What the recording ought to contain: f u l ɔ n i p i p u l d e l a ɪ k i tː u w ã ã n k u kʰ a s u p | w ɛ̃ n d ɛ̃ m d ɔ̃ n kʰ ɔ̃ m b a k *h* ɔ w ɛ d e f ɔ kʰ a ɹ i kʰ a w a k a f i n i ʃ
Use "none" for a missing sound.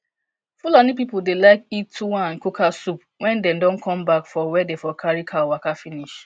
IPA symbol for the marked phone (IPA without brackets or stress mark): f